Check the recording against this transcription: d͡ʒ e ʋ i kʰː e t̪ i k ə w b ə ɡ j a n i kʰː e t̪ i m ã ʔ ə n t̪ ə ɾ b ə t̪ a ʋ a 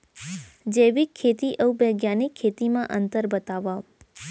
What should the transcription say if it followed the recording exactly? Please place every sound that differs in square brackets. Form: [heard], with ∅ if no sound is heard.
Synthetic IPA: d͡ʒ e ʋ i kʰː e t̪ i [ʔ] ə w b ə ɡ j a n i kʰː e t̪ i m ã ʔ ə n t̪ ə ɾ b ə t̪ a ʋ a